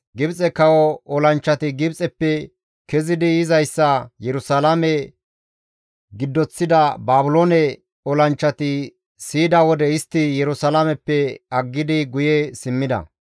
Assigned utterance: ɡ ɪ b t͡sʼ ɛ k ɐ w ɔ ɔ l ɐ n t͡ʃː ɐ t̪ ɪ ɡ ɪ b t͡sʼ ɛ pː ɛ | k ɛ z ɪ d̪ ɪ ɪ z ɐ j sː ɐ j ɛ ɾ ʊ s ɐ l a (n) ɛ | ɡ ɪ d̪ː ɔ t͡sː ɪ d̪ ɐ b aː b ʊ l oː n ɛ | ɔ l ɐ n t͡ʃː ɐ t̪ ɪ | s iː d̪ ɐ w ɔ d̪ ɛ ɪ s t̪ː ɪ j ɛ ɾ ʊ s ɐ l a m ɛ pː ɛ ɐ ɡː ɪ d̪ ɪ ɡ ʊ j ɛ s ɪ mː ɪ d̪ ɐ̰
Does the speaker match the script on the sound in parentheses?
no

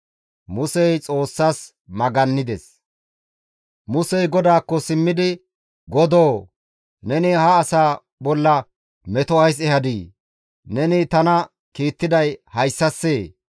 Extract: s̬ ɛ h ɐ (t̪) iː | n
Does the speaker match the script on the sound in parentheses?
no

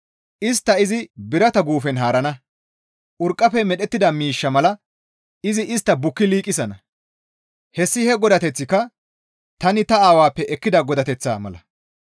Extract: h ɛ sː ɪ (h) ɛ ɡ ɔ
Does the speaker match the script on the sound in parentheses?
yes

